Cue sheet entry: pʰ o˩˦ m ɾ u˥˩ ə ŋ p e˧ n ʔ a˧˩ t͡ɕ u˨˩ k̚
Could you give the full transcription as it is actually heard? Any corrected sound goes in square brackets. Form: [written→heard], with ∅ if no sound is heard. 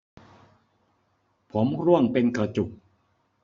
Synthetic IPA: pʰ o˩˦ m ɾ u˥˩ ə ŋ p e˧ n [ʔ→k] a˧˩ t͡ɕ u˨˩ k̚

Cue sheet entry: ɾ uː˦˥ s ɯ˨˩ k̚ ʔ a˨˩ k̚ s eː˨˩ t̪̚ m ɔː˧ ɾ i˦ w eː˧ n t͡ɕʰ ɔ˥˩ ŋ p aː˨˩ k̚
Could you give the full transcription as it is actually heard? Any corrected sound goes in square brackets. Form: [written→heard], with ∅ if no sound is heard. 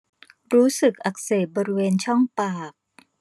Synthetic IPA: ɾ uː˦˥ s ɯ˨˩ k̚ ʔ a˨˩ k̚ s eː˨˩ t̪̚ [m→b] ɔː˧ ɾ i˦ w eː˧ n t͡ɕʰ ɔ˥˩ ŋ p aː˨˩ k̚

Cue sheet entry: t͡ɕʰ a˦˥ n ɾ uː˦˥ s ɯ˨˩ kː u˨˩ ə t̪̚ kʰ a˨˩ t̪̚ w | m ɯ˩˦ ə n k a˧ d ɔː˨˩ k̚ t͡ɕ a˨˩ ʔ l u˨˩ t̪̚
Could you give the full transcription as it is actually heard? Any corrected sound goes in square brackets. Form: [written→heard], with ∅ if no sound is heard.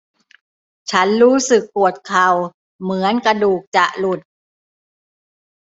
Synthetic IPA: t͡ɕʰ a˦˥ n ɾ uː˦˥ s ɯ˨˩ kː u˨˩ ə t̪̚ kʰ a˨˩ [t̪̚→∅] w | m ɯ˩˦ ə n k a˧ d [ɔː˨˩→uː˨˩] k̚ t͡ɕ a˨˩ ʔ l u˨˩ t̪̚

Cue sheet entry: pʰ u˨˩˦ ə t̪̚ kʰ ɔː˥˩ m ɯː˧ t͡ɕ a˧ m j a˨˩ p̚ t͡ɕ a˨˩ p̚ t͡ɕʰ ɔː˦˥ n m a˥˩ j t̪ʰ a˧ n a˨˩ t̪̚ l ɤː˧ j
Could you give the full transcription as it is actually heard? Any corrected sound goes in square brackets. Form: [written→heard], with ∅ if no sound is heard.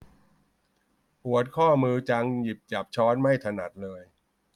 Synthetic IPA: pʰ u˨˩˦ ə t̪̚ kʰ ɔː˥˩ m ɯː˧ t͡ɕ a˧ [m→ŋ] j [a˨˩→i˨˩] p̚ t͡ɕ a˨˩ p̚ t͡ɕʰ ɔː˦˥ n m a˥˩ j t̪ʰ a˧ n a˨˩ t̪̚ l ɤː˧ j

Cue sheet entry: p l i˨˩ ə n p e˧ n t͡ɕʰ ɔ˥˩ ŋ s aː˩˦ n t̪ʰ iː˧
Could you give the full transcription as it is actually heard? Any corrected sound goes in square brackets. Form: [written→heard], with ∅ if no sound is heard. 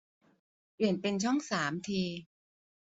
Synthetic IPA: p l i˨˩ ə n p e˧ n t͡ɕʰ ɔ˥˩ ŋ s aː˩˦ [n→m] t̪ʰ iː˧

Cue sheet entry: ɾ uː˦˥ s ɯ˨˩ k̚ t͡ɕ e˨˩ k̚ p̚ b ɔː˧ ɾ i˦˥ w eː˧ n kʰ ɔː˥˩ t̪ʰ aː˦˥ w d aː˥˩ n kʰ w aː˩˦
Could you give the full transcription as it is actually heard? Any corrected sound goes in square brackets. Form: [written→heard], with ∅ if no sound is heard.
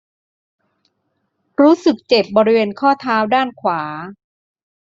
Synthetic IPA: ɾ uː˦˥ s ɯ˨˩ k̚ t͡ɕ e˨˩ [k̚→∅] p̚ b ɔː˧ ɾ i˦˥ w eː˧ n kʰ ɔː˥˩ t̪ʰ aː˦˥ w d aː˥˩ n kʰ w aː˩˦

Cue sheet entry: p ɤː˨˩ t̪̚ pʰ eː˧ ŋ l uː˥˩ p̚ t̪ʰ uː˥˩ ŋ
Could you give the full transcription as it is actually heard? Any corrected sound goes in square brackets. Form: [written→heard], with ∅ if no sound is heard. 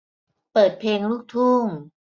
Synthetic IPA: p ɤː˨˩ t̪̚ pʰ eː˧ ŋ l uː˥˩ [p̚→k̚] t̪ʰ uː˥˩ ŋ

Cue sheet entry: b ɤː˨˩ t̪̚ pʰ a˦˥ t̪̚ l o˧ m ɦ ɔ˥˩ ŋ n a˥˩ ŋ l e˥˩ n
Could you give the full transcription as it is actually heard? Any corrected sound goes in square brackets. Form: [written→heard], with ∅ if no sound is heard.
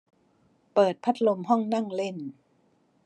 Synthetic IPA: [b→p] ɤː˨˩ t̪̚ pʰ a˦˥ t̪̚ l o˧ m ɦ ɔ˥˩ ŋ n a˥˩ ŋ l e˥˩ n

